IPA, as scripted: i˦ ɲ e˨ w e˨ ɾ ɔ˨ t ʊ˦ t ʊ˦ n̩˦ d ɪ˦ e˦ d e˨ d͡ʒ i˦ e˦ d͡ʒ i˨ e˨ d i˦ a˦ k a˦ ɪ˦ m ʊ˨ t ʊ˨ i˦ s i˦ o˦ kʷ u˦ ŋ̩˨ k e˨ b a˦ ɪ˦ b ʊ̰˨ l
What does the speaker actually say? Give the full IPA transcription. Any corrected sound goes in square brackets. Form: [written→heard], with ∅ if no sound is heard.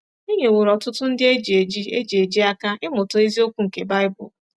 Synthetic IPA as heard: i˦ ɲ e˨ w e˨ ɾ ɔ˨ t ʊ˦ t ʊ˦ n̩˦ d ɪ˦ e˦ [d→d͡ʒ] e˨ d͡ʒ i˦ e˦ d͡ʒ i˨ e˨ [d→d͡ʒ] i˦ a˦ k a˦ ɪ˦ m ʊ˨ t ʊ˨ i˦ [s→z] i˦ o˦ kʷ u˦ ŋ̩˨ k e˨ b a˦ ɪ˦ b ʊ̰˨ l